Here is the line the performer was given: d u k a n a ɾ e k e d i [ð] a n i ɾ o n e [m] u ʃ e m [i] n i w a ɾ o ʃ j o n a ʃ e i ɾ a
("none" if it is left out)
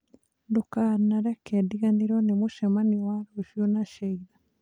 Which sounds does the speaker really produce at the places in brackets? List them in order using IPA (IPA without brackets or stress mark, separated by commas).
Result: ɣ, m, a